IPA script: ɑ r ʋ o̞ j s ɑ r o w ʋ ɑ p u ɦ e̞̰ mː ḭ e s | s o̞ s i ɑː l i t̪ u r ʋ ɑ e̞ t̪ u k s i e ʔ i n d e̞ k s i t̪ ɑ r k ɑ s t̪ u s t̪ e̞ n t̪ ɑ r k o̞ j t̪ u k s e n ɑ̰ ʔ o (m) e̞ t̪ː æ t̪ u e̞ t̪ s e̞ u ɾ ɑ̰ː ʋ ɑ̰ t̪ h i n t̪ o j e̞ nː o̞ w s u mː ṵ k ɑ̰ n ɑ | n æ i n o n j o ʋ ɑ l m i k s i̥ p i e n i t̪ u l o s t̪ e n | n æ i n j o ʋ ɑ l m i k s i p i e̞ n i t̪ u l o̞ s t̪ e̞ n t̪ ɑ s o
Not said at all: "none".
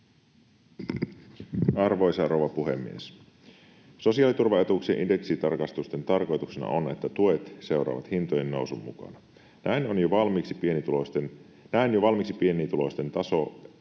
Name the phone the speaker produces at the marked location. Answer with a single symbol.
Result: n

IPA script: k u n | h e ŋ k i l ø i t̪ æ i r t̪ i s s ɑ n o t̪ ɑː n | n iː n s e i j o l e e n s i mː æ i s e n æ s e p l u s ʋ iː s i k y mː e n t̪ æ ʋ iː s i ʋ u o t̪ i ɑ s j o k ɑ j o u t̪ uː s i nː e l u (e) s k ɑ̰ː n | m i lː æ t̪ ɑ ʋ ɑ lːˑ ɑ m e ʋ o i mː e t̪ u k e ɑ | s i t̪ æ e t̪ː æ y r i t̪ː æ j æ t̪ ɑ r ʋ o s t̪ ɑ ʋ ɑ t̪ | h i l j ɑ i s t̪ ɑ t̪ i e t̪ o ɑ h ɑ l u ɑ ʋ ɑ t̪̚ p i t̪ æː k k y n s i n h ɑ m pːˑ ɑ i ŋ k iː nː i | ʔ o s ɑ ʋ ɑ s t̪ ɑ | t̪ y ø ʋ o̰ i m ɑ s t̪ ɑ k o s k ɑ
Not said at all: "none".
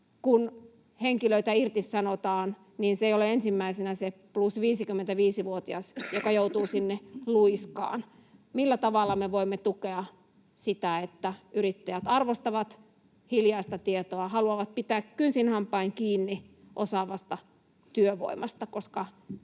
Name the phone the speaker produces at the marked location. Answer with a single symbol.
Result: i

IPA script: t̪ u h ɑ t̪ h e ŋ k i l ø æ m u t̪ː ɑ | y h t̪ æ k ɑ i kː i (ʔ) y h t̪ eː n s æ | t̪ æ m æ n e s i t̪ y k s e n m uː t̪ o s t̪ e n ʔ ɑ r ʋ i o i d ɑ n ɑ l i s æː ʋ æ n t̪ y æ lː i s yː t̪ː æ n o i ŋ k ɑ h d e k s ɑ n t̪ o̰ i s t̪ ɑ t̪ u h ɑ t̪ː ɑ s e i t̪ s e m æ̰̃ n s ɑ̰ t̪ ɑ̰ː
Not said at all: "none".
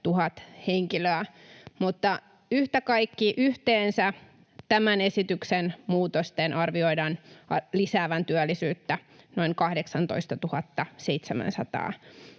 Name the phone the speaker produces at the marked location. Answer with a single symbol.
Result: ʔ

